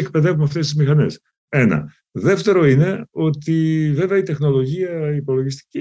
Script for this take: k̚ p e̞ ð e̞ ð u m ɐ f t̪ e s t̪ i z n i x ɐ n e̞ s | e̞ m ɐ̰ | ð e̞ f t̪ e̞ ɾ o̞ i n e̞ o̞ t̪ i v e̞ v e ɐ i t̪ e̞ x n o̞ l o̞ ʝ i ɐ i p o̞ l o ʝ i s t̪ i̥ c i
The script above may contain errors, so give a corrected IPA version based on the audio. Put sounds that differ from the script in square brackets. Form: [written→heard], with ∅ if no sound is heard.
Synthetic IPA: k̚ p e̞ ð e̞ [ð→v] u m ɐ f t̪ e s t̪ i z [n→m] i x ɐ n e̞ s | e̞ [m→n] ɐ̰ | ð e̞ f t̪ e̞ ɾ o̞ i n e̞ o̞ t̪ i v e̞ v e ɐ i t̪ e̞ x n o̞ l o̞ ʝ i ɐ i p o̞ l o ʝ i s t̪ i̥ c i